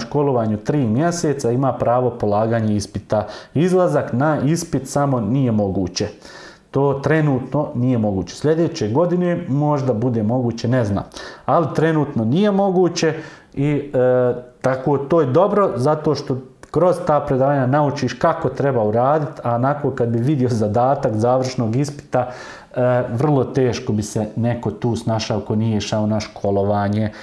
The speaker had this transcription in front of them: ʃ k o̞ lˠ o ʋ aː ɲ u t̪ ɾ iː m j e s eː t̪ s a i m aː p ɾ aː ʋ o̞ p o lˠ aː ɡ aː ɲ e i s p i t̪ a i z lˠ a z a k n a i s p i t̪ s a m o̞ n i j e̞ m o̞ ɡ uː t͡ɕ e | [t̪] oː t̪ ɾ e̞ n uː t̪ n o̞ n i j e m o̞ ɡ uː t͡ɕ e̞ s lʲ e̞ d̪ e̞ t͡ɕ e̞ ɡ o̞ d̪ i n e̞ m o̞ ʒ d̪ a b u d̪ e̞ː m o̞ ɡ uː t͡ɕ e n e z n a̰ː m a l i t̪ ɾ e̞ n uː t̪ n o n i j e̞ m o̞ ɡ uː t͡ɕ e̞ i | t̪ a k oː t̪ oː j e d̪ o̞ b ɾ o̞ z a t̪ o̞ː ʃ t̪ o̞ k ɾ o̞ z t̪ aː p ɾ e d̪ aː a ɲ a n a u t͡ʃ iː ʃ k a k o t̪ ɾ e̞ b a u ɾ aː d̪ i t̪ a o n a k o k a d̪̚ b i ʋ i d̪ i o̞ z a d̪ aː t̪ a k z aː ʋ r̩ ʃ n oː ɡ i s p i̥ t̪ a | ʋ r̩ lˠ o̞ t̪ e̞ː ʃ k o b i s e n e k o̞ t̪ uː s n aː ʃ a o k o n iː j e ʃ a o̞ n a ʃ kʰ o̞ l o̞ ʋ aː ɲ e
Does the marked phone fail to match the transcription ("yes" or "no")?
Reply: no